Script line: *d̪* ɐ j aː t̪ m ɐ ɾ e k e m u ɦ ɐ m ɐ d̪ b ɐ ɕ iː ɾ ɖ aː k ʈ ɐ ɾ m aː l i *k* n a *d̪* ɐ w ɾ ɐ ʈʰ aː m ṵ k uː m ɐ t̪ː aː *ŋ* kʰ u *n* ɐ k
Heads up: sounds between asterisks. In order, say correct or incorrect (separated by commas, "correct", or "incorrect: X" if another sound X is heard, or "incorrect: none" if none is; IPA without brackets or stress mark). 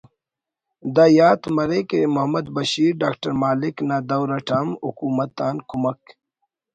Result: correct, correct, correct, incorrect: n, incorrect: m